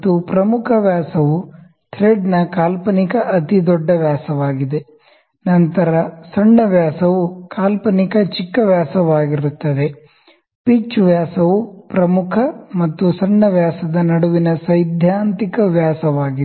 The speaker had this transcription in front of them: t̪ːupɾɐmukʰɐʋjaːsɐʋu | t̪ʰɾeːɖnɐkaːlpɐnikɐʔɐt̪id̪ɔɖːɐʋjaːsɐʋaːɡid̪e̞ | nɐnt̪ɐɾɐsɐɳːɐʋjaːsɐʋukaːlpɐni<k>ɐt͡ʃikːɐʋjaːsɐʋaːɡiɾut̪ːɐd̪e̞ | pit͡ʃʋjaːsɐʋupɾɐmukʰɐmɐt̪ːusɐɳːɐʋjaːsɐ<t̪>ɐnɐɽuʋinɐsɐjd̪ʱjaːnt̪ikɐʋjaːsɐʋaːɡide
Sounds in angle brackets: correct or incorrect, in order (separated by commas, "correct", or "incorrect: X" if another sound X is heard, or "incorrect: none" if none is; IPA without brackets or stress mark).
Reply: correct, incorrect: d̪